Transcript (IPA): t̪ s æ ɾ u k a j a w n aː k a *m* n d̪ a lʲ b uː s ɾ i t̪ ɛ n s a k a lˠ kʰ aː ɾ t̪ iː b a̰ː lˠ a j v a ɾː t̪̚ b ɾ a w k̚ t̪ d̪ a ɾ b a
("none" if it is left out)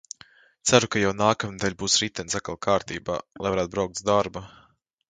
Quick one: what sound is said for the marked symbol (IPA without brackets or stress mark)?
m